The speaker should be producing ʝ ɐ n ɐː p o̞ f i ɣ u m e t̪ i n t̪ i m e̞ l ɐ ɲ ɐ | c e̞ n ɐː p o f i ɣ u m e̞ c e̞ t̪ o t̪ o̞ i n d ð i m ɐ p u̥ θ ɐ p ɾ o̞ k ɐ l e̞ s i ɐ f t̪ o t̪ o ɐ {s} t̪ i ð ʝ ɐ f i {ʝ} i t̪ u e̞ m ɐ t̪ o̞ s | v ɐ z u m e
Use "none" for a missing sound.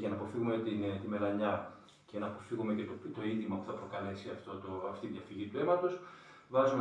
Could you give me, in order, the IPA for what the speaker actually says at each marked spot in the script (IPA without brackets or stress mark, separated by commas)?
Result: f, ʝ